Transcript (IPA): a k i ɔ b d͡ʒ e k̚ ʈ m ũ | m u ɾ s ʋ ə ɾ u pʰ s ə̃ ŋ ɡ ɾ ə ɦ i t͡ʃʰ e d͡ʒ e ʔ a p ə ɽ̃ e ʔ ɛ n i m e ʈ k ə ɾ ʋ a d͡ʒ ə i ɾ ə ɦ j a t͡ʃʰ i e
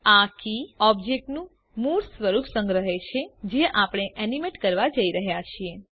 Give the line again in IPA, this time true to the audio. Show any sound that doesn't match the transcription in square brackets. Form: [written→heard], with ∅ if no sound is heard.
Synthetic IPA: a k i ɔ b d͡ʒ e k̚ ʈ [m→n] ũ | m u ɾ s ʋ ə ɾ u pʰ s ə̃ ŋ ɡ ɾ ə ɦ [i→e] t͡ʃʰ e d͡ʒ e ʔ a p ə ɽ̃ e ʔ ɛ n i m e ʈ k ə ɾ ʋ a d͡ʒ ə i ɾ ə ɦ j a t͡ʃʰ i e